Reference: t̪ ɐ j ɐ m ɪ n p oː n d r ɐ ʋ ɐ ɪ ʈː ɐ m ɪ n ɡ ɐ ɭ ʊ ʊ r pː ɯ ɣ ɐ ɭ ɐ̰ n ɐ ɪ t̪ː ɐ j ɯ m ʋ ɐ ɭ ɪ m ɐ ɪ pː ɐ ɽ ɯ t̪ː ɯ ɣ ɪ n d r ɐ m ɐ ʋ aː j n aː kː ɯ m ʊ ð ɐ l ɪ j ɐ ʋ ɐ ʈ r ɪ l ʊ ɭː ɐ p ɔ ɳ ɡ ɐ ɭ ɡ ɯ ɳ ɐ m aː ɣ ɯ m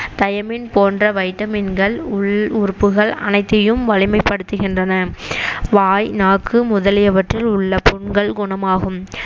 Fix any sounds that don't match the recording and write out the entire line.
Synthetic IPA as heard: t̪ ɐ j ɐ m ɪ n p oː n d r ɐ ʋ ɐ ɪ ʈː ɐ m ɪ n ɡ ɐ ɭ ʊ ʊ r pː ɯ ɣ ɐ ɭ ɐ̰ n ɐ ɪ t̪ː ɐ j ɯ m ʋ ɐ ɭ ɪ m ɐ ɪ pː ɐ ɽ ɯ t̪ː ɯ ɣ ɪ n d r ɐ n ɐ ʋ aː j n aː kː ɯ m ʊ ð ɐ l ɪ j ɐ ʋ ɐ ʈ r ɪ l ʊ ɭː ɐ p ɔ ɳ ɡ ɐ ɭ ɡ ʊ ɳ ɐ m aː ɣ ɯ m

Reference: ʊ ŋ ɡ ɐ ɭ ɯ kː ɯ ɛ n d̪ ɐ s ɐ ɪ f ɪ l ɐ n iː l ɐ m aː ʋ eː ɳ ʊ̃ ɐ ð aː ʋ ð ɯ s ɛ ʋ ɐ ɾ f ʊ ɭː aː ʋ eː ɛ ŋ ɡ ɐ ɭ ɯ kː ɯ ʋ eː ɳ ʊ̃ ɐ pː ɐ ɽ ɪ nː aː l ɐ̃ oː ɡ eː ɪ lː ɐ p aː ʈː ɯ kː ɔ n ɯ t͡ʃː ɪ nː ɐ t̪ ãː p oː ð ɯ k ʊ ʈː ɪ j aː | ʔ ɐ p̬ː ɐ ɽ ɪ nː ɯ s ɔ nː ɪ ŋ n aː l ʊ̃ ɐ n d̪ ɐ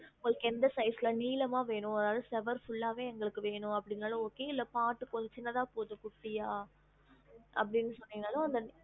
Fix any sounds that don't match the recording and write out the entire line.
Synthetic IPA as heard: ʊ ŋ ɡ ɐ ɭ ɯ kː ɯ ɛ n d̪ ɐ s ɐ ɪ s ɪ l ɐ n iː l ɐ m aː ʋ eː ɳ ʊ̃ ɐ ð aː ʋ ð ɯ s ɛ ʋ ɐ ɾ f ʊ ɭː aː ʋ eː ɛ ŋ ɡ ɐ ɭ ɯ kː ɯ ʋ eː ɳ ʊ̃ ɐ pː ɐ ɽ ɪ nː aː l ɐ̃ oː k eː ɪ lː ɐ p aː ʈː ɯ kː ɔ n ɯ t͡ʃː ɪ nː ɐ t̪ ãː p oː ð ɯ k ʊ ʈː ɪ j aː | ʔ ɐ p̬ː ɐ ɽ ɪ nː ɯ s ɔ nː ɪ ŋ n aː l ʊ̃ ɐ n d̪ ɐ

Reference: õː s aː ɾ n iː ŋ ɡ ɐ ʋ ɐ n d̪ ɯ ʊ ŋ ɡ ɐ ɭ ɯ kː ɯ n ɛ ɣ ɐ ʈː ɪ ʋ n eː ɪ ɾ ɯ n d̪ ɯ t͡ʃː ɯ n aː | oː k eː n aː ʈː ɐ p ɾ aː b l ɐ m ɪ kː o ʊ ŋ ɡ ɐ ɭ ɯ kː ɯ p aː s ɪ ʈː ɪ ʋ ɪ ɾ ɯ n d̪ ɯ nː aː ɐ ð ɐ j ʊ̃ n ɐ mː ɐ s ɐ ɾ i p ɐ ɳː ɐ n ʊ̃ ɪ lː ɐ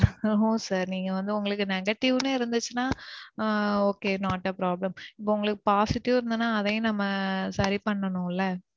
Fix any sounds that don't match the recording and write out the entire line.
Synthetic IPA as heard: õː s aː ɾ n iː ŋ ɡ ɐ ʋ ɐ n d̪ ɯ ʊ ŋ ɡ ɐ ɭ ɯ kː ɯ n ɛ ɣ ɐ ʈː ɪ ʋ n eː ɪ ɾ ɯ n d̪ ɯ t͡ʃː ɯ n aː | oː k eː n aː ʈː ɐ p ɾ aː b l ɐ m ɪ pː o ʊ ŋ ɡ ɐ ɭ ɯ kː ɯ p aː s ɪ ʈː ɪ ʋ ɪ ɾ ɯ n d̪ ɯ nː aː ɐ ð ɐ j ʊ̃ n ɐ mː ɐ s ɐ ɾ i p ɐ ɳː ɐ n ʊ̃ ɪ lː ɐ

